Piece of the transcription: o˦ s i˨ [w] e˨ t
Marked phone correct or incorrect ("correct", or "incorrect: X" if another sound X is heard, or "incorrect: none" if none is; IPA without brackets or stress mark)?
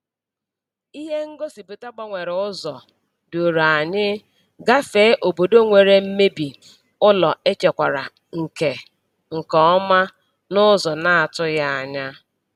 incorrect: b